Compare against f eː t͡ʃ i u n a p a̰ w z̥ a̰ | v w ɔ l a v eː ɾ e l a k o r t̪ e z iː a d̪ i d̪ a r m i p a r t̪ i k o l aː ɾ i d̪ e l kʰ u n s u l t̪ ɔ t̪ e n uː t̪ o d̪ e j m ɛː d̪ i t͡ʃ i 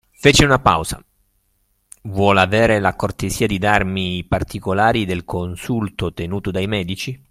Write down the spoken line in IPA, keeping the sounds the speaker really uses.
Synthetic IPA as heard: f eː t͡ʃ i u n a p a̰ w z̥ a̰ | v w ɔ l a v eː ɾ e l a k o r t̪ e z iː a d̪ i d̪ a r m i p a r t̪ i k o l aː ɾ i d̪ e l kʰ o n s u l t̪ o t̪ e n uː t̪ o d̪ a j m ɛː d̪ i t͡ʃ i

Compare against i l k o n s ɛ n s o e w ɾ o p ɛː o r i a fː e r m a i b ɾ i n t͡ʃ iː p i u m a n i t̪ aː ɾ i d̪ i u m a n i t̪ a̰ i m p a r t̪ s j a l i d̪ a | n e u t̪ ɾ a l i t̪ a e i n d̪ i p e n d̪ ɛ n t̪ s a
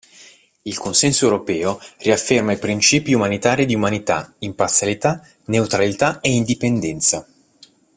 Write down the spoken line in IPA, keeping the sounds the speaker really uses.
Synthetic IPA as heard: i l k o n s ɛ n s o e w ɾ o p ɛː o r i a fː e r m a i p ɾ i n t͡ʃ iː p i u m a n i t̪ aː ɾ i d̪ i u m a n i t̪ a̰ i m p a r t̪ s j a l i t̪ a | n e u t̪ ɾ a l i t̪ a e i n d̪ i p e n d̪ ɛ n t̪ s a

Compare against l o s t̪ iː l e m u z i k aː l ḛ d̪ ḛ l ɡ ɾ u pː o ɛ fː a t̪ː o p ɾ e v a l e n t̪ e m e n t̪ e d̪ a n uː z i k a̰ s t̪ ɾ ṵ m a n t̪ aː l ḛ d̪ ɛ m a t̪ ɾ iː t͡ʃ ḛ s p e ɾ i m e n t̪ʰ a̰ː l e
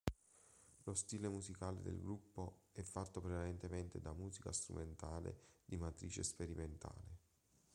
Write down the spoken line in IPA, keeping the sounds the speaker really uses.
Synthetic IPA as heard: l o s t̪ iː l e m u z i k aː l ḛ d̪ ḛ l ɡ ɾ u pː o ɛ fː a t̪ː o p ɾ e v a l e n t̪ e m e n t̪ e d̪ a m uː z i k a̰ s t̪ ɾ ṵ m e n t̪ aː l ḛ d̪ i m a t̪ ɾ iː t͡ʃ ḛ s p e ɾ i m e n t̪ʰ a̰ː l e

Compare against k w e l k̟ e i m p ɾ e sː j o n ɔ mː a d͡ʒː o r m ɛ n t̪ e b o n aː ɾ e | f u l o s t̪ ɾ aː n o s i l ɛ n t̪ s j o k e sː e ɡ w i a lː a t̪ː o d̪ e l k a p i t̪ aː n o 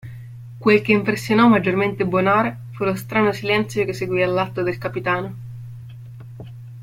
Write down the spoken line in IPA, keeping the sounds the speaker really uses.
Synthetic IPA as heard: k w e l k̟ e i m p ɾ e sː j o n ɔ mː a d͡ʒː o r m e n t̪ e b o n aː ɾ e | f u l o s t̪ ɾ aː n o s i l ɛ n t̪ s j o k e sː e ɡ w i a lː a t̪ː o d̪ e l k a p i t̪ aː n o

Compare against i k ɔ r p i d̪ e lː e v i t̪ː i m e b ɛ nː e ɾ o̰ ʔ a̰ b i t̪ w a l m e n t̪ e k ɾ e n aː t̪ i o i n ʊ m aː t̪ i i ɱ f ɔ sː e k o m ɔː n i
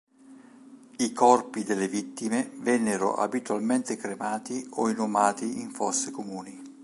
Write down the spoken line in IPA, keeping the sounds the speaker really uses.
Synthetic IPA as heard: i k ɔ r p i d̪ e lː e v i t̪ː i m e v ɛ nː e ɾ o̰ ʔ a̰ b i t̪ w a l m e n t̪ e k ɾ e m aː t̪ i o i n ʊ m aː t̪ i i ɱ f ɔ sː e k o m uː n i

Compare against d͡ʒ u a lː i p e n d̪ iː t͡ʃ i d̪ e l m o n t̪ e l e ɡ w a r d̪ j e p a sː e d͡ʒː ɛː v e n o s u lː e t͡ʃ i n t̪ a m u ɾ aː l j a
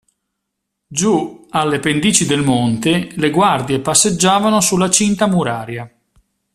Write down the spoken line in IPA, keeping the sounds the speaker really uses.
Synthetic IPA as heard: d͡ʒ u a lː e p e n d̪ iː t͡ʃ i d̪ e l m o n t̪ e l e ɡ w a r d̪ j e p a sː e d͡ʒː aː v a n o s u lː a t͡ʃ i n t̪ a m u ɾ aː ɾ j a

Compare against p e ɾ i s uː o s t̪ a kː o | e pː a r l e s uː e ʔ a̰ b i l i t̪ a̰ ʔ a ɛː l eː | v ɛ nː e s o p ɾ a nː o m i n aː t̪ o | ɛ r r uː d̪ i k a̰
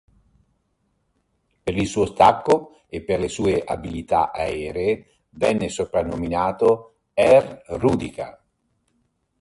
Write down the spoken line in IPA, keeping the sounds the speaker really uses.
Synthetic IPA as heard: p e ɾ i s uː o s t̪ a kː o | e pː e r l e s uː e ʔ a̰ b i l i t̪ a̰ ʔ a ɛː ɾ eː | v ɛ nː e s o p ɾ a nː o m i n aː t̪ o | ɛ r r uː d̪ i k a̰

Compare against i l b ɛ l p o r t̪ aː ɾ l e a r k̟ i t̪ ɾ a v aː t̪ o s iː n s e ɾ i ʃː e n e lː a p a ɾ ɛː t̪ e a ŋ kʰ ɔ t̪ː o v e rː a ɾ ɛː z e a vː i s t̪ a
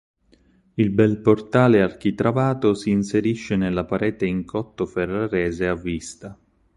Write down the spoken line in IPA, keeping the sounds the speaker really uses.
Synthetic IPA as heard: i l b ɛ l p o r t̪ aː l e a r k̟ i t̪ ɾ a v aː t̪ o s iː n s e ɾ i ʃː e n e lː a p a ɾ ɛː t̪ e i ŋ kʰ ɔ t̪ː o f e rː a ɾ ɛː z e a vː i s t̪ a

